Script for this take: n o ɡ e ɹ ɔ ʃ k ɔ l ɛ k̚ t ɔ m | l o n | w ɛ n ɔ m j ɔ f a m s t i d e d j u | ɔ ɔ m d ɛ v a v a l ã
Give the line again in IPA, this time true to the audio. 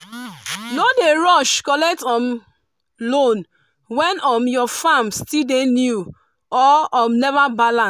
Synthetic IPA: n o d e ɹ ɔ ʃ k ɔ l ɛ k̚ t ɔ m | l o n | w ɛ n ɔ m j ɔ f a m s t i d e n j u | ɔ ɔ m n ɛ v a b a l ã